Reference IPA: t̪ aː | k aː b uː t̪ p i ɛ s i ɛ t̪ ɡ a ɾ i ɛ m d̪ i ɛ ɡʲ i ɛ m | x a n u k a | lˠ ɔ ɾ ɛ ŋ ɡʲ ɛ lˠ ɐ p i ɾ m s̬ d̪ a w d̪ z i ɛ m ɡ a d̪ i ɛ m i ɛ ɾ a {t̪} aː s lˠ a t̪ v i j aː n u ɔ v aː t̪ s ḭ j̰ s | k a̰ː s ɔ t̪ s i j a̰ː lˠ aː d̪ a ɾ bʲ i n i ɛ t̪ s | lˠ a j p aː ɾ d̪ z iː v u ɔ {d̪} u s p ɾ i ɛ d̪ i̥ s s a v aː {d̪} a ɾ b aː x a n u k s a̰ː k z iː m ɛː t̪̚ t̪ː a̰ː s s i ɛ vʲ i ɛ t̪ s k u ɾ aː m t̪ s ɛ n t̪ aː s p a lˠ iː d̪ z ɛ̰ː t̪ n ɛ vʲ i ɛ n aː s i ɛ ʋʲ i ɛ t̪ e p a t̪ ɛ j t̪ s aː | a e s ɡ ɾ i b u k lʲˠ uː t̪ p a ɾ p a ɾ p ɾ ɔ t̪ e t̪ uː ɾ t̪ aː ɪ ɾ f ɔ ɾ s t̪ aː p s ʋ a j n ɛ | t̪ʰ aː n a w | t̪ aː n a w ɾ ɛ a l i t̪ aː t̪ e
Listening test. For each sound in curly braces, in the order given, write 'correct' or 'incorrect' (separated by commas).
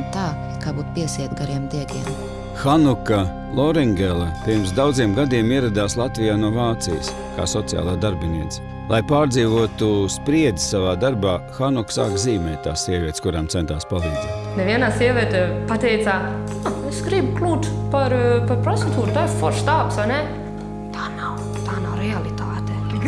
incorrect, incorrect, correct